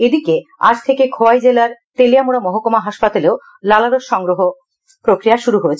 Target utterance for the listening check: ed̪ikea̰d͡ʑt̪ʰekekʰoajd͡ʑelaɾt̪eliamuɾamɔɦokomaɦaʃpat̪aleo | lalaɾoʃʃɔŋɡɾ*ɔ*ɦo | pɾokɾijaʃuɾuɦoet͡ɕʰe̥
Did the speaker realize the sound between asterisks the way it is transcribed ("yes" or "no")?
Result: no